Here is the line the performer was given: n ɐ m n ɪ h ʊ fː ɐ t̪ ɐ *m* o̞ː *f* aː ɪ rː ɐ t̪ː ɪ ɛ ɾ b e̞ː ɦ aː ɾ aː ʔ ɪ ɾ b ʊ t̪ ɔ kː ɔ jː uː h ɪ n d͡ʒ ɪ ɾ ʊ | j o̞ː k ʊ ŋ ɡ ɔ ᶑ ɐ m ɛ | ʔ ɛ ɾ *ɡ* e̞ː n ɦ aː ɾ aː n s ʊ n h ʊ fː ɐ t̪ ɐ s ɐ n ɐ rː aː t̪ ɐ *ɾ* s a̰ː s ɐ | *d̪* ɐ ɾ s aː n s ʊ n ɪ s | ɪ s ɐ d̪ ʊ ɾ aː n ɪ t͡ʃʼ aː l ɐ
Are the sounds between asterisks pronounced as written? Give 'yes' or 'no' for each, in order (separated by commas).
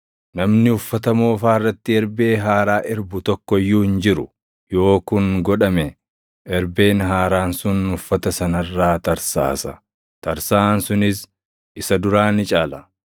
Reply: yes, yes, no, yes, no